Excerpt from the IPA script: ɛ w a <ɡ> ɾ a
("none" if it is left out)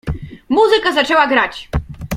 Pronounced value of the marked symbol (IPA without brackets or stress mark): ɡ